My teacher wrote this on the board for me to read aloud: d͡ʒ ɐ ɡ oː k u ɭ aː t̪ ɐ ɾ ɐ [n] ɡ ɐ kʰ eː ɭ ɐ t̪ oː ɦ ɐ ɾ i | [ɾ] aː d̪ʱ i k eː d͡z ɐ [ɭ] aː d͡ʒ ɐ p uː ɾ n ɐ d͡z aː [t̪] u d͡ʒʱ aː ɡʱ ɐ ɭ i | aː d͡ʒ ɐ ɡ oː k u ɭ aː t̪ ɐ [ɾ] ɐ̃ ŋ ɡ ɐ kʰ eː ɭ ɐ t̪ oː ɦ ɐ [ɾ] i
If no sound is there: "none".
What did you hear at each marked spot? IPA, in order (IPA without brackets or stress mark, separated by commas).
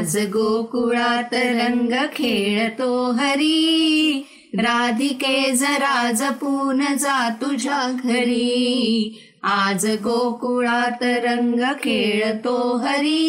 ŋ, ɾ, ɾ, t̪, ɾ, ɾ